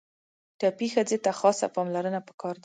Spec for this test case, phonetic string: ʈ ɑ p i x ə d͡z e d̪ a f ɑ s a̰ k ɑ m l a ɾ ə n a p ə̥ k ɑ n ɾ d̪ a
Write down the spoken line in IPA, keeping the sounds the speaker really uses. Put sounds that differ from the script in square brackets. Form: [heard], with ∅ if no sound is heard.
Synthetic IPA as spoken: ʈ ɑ p i x ə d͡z e [t̪] a [x] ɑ s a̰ [p] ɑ m l a ɾ ə n a p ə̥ k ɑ [∅] ɾ d̪ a